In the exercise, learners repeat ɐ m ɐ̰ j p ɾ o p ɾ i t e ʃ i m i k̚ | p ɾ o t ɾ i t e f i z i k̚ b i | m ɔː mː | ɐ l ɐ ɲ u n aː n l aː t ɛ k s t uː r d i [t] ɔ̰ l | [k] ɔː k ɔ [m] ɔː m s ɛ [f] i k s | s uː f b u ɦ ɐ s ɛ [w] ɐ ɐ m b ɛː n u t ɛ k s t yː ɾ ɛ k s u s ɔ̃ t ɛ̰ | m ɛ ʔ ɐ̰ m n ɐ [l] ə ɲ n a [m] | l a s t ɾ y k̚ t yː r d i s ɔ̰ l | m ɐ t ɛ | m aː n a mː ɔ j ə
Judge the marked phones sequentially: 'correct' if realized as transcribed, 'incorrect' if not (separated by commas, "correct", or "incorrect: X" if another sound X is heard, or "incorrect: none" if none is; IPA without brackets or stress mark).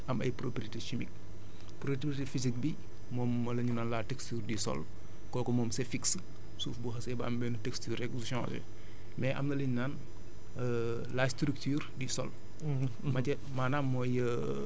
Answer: incorrect: s, correct, correct, correct, incorrect: b, correct, incorrect: n